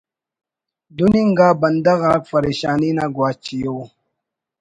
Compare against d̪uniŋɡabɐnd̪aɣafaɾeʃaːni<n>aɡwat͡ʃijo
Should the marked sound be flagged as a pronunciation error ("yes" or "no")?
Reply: no